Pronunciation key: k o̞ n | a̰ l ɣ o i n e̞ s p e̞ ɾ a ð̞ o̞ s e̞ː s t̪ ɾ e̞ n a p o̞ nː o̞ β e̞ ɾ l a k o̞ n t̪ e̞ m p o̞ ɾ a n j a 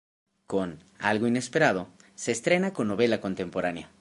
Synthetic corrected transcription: k o̞ n | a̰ l ɣ o i n e̞ s p e̞ ɾ a ð̞ o̞ s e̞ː s t̪ ɾ e̞ n a k o̞ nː o̞ β e̞ l a k o̞ n t̪ e̞ m p o̞ ɾ a n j a